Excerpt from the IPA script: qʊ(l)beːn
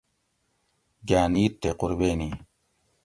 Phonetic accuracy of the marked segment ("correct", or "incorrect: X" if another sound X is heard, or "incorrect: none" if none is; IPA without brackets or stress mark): incorrect: ɾ